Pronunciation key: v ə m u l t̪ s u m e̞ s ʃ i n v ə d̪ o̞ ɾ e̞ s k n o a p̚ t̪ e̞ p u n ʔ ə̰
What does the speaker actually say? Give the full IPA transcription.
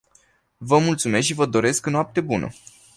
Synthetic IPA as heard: v ə m u l t̪ s u m e̞ s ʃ i v ə d̪ o̞ ɾ e̞ s k n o a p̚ t̪ e̞ b u n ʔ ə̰